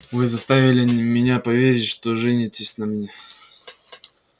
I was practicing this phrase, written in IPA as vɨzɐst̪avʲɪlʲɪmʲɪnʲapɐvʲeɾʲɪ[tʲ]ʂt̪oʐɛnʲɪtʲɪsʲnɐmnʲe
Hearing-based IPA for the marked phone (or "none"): tʲ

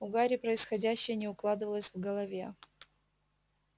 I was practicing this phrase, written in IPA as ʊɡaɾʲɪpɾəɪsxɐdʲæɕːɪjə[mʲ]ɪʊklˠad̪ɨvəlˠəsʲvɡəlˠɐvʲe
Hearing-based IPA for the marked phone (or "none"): nʲ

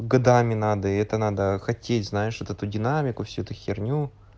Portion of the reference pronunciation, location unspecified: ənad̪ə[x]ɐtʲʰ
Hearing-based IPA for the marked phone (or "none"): x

